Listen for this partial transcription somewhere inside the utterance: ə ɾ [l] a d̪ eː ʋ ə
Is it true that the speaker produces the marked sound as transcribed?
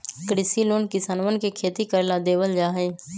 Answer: yes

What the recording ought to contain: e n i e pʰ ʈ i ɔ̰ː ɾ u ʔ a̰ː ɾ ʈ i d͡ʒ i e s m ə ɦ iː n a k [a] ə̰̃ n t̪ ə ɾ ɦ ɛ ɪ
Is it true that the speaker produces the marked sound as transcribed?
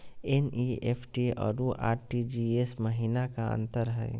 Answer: yes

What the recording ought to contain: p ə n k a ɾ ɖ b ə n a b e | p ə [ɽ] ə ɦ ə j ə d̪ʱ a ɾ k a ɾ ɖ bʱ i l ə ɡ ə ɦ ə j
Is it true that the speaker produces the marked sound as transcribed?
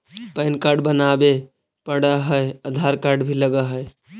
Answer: yes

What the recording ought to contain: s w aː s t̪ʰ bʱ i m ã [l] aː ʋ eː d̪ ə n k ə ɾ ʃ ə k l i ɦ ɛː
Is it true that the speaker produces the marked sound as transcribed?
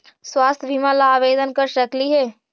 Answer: yes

